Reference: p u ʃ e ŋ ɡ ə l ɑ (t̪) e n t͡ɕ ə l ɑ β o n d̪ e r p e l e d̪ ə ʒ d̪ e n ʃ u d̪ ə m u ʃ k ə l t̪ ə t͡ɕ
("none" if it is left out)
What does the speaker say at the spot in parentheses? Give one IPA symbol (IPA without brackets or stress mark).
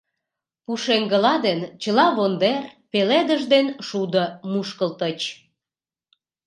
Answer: d̪